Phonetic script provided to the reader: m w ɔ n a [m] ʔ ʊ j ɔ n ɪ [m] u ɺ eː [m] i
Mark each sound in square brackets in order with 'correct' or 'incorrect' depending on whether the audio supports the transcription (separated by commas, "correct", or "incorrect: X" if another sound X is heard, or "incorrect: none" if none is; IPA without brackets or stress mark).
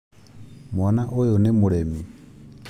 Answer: incorrect: none, correct, correct